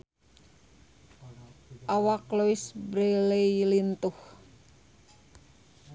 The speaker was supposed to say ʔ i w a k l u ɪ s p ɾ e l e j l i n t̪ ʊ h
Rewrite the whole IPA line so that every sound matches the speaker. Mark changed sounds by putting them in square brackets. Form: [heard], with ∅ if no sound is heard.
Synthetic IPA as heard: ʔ [a] w a k l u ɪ s [b] ɾ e l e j l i n t̪ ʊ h